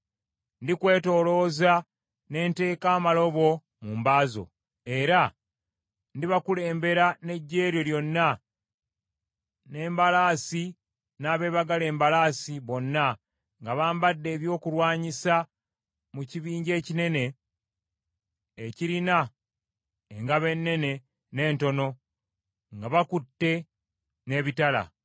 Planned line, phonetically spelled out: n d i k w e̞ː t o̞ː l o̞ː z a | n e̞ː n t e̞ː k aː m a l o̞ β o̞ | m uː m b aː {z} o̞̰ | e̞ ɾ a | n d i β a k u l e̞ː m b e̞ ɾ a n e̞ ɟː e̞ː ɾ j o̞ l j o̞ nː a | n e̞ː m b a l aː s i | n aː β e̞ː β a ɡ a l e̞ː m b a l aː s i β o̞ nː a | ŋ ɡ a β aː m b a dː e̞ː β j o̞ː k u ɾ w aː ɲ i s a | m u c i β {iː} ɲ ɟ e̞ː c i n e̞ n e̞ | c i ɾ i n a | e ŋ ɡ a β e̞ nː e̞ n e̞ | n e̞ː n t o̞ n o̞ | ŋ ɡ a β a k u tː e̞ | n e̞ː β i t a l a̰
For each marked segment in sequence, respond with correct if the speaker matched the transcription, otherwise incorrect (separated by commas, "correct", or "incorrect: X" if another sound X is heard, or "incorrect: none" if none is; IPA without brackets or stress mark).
correct, correct